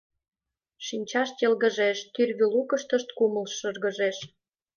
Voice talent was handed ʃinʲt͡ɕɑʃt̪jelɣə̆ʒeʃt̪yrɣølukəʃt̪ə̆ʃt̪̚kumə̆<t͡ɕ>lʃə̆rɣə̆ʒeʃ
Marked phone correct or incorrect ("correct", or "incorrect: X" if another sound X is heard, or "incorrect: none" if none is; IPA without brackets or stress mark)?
incorrect: none